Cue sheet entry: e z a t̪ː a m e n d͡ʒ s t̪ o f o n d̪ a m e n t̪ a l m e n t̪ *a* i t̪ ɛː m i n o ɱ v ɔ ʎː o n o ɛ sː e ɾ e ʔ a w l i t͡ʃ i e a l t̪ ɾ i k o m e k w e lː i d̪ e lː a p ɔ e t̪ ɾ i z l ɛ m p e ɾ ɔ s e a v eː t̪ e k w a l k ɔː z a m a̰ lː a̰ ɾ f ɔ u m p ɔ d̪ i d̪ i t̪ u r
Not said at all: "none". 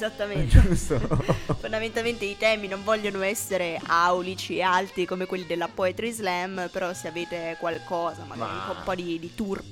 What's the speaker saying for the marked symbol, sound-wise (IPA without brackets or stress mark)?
e